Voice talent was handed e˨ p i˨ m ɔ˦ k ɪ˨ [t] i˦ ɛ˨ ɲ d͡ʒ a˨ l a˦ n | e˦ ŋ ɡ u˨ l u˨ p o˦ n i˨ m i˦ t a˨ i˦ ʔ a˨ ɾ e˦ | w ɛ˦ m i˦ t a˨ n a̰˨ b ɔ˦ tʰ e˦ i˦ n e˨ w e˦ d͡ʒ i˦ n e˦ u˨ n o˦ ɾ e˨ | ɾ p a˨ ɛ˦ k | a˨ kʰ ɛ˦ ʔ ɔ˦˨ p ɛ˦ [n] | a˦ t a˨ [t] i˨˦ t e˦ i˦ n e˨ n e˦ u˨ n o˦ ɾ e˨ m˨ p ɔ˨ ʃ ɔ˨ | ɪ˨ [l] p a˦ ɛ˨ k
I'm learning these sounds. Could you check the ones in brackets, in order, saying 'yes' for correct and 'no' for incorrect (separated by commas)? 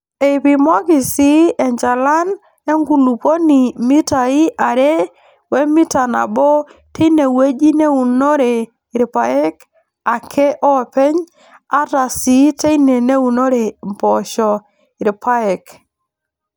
no, no, no, no